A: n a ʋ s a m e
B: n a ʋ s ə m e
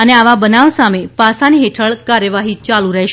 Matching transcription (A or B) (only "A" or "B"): A